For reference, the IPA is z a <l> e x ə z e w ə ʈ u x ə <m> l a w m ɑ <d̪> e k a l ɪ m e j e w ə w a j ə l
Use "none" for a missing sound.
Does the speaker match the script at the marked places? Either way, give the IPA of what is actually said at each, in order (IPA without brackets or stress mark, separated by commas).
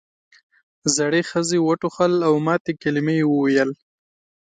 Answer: ɽ, none, t̪